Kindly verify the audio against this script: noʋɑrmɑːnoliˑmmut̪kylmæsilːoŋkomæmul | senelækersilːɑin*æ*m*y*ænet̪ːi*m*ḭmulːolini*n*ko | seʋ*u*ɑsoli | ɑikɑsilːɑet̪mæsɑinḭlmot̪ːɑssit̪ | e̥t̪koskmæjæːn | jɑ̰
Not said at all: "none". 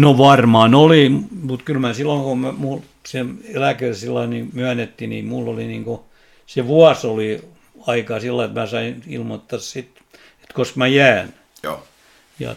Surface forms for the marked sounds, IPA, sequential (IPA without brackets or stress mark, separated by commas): i, y, n, ŋ, u